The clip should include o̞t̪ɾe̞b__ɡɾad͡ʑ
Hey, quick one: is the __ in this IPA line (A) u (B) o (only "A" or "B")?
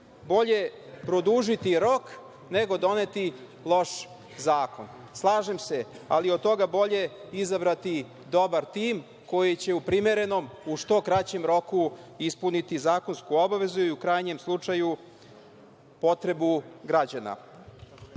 A